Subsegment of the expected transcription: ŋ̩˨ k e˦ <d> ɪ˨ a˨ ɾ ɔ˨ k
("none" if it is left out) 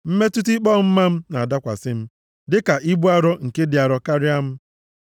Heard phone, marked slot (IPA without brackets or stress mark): d